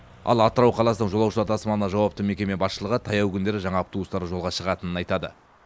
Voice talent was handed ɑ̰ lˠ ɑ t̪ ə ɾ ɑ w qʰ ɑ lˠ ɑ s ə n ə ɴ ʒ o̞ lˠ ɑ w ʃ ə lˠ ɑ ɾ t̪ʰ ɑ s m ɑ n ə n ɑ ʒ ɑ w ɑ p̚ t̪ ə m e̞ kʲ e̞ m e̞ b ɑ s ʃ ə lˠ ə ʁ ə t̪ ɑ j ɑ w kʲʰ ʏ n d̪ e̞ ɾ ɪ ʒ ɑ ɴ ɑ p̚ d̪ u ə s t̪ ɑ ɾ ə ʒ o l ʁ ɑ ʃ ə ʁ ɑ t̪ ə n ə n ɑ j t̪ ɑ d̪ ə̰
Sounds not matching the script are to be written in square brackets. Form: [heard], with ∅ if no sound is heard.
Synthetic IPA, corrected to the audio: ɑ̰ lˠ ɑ t̪ ə ɾ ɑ w qʰ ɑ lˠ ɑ s ə n ə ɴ ʒ o̞ lˠ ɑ w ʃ ə lˠ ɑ ɾ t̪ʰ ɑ s m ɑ n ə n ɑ ʒ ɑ w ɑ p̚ t̪ ə m e̞ kʲ e̞ m e̞ b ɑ s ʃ ə lˠ ə ʁ ə [t̪ʰ] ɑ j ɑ w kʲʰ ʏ n d̪ e̞ ɾ ɪ ʒ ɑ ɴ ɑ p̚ [t̪] u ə s t̪ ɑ ɾ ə ʒ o l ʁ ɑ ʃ ə ʁ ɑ t̪ ə n ə n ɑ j t̪ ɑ d̪ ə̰